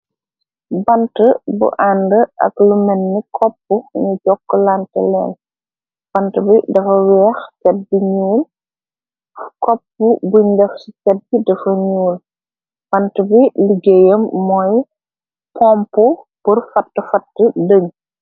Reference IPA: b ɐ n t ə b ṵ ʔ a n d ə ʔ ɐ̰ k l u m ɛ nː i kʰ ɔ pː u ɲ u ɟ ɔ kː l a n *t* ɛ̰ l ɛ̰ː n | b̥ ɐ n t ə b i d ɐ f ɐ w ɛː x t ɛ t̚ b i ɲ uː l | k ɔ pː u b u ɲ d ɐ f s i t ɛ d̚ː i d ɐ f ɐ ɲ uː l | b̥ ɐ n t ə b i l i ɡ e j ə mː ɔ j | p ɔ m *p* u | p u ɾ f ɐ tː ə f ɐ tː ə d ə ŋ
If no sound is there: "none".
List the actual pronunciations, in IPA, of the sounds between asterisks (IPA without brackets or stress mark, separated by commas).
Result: t, p